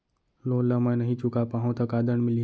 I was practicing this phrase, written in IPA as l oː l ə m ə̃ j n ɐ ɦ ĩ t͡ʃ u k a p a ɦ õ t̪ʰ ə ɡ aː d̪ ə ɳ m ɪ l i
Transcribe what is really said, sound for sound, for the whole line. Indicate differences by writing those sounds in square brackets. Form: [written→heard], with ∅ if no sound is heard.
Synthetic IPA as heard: l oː l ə m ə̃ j n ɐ ɦ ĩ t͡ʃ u k a p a ɦ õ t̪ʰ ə [ɡ→k] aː d̪ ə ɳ m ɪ l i